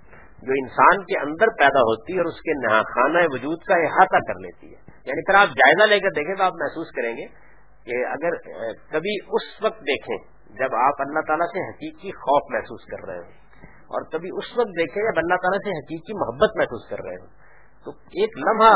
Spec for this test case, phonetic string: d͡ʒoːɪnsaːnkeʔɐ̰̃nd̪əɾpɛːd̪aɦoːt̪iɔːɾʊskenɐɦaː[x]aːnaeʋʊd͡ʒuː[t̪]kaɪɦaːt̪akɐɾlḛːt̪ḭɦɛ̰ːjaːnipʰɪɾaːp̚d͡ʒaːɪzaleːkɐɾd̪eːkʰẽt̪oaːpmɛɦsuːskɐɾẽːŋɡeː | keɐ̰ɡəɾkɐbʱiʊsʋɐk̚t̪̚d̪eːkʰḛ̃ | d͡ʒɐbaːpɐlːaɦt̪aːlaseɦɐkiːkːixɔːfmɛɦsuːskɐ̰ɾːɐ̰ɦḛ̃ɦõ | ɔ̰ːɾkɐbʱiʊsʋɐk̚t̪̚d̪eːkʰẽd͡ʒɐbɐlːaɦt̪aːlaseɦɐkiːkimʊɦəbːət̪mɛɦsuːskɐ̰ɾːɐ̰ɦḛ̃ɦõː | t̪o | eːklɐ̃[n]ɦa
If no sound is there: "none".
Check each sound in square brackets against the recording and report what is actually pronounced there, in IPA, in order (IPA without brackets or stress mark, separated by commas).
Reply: x, d̪, m